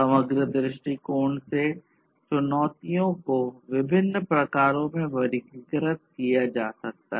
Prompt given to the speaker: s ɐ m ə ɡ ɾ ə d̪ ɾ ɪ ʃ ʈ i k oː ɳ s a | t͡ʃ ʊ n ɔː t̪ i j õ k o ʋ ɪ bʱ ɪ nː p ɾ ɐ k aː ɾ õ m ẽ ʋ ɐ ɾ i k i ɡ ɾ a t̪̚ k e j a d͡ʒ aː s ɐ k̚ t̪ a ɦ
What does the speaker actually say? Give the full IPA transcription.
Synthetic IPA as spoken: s ɐ m ə ɡ ɾ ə d̪ ɾ ɪ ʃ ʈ i k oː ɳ s e | t͡ʃ ʊ n ɔː t̪ i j õ k o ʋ ɪ bʱ ɪ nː p ɾ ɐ k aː ɾ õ m ẽ ʋ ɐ ɾ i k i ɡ ɾ ə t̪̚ k i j a d͡ʒ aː s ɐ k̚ t̪ a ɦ

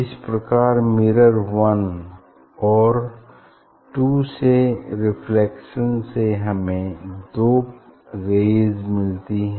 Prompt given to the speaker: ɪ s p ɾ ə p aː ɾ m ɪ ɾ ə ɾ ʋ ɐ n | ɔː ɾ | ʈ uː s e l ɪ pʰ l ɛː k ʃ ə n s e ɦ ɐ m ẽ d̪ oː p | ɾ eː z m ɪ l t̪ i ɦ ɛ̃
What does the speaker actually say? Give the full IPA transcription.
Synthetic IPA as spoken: ɪ s p ɾ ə k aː ɾ m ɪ ɾ ə ɾ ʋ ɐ n | ɔː ɾ | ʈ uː s e ɾ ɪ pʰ l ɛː k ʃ ə n s e ɦ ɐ m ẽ d̪ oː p | ɾ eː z m ɪ l t̪ i ɦ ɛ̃

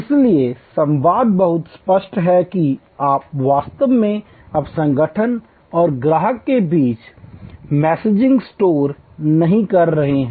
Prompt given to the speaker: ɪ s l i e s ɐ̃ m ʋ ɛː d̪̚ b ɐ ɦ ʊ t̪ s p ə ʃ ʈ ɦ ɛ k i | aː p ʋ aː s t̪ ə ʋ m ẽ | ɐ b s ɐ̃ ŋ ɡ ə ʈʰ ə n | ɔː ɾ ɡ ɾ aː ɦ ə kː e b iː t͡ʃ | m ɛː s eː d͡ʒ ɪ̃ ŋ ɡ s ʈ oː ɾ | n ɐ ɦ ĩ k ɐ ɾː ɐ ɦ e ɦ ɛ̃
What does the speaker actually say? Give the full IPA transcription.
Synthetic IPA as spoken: ɪ s l i e s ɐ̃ m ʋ aː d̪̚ b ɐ ɦ ʊ t̪ s p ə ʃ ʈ ɦ ɛ k i | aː p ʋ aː s t̪ ə ʋ m ẽ | ɐ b s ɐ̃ ŋ ɡ ə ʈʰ ə n | ɔː ɾ ɡ ɾ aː ɦ ə kː e b iː t͡ʃ | m ɛː s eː d͡ʒ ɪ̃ ŋ ɡ s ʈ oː ɾ | n ɐ ɦ ĩ k ɐ ɾː ɐ ɦ e ɦ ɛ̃

